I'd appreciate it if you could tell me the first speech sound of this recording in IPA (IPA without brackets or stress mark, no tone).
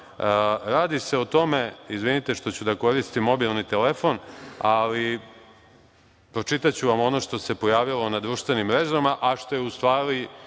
ɾ